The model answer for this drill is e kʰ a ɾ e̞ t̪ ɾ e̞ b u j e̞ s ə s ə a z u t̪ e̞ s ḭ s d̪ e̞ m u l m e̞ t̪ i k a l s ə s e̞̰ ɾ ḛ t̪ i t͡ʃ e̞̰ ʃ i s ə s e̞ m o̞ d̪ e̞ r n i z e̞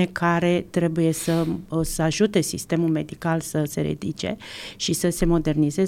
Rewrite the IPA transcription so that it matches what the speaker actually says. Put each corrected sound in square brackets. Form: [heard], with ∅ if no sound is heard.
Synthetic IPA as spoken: e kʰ a ɾ e̞ t̪ ɾ e̞ b u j e̞ s ə s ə a [ʒ] u t̪ e̞ s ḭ s [t̪] e̞ m u l m e̞ [d̪] i k a l s ə s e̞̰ ɾ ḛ [d̪] i t͡ʃ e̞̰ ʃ i s ə s e̞ m o̞ d̪ e̞ r n i z e̞